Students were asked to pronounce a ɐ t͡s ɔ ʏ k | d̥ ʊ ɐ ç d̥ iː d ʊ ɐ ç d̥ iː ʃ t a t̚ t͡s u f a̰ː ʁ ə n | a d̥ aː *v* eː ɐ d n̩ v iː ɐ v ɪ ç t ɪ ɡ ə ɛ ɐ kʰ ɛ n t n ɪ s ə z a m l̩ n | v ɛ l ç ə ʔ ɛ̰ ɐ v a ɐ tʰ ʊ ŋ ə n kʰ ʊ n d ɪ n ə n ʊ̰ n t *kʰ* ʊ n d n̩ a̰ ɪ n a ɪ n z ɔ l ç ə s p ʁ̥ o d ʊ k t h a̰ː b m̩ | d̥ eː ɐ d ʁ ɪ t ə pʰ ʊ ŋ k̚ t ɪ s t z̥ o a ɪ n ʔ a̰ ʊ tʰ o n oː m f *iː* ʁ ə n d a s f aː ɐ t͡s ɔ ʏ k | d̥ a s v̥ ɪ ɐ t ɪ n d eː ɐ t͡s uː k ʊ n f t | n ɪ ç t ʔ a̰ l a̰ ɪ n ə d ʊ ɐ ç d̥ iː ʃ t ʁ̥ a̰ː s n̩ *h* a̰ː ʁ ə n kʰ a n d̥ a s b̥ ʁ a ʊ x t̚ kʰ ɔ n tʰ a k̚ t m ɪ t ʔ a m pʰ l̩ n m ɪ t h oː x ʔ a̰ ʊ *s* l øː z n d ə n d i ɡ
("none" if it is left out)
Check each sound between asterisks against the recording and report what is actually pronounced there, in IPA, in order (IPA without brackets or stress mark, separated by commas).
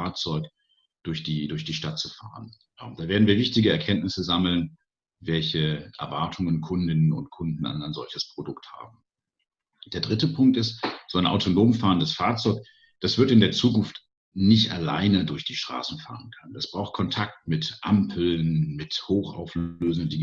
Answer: v, kʰ, aː, f, f